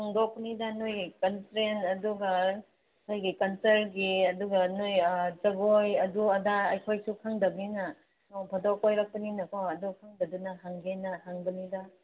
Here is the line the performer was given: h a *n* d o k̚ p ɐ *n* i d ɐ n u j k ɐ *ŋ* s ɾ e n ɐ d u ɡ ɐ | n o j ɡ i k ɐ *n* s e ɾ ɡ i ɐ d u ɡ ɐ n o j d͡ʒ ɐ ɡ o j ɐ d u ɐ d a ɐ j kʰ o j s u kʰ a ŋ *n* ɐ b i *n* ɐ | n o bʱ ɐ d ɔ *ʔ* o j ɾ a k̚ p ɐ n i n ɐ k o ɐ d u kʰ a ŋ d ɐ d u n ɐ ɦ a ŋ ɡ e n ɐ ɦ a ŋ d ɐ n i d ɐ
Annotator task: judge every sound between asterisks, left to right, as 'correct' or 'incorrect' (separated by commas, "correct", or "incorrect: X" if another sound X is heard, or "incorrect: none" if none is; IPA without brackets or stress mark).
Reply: incorrect: ŋ, correct, incorrect: n, correct, incorrect: d, correct, incorrect: k